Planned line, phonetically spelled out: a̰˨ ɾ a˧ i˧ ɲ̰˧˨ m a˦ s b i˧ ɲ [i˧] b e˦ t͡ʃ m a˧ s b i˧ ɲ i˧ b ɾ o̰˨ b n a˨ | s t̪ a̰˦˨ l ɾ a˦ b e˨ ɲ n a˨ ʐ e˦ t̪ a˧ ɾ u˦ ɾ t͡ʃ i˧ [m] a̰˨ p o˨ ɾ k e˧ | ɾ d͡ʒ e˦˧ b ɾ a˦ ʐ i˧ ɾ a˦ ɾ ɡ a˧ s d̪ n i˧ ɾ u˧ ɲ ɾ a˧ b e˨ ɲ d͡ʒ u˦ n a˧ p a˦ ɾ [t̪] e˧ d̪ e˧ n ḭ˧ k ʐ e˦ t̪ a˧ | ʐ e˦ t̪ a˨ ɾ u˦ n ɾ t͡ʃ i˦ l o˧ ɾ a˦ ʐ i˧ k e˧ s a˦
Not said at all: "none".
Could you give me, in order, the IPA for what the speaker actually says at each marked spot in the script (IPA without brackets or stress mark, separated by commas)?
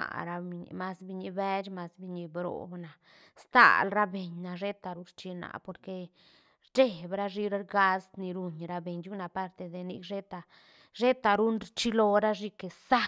i˧, n, t̪